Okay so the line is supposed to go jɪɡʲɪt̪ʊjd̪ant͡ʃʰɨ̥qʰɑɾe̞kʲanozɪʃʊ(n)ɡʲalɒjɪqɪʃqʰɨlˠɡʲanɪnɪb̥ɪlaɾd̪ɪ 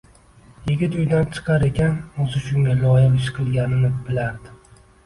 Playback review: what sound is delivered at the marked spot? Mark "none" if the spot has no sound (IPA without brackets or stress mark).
ŋ